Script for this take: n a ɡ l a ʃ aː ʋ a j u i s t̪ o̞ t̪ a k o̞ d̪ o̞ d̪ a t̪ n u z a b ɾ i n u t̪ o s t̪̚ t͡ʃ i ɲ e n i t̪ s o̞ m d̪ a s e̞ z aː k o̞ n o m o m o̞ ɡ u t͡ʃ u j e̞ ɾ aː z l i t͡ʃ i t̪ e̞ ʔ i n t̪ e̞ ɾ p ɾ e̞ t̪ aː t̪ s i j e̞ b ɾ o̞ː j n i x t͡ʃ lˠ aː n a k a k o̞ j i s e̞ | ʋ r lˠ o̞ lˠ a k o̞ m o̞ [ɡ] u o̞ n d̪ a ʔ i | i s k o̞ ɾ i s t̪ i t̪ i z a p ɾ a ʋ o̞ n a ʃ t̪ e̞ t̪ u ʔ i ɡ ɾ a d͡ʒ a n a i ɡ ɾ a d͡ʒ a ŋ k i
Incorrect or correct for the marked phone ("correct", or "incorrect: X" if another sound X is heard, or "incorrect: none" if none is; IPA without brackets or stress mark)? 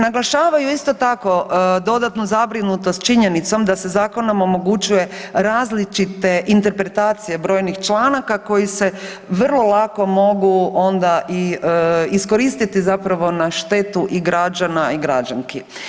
correct